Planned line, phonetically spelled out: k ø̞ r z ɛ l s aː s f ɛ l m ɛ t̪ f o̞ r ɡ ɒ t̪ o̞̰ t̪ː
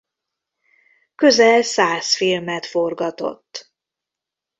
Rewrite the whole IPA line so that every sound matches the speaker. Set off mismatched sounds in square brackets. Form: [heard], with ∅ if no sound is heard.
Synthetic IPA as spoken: k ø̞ [∅] z ɛ l s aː s f [i] l m ɛ t̪ f o̞ r ɡ ɒ t̪ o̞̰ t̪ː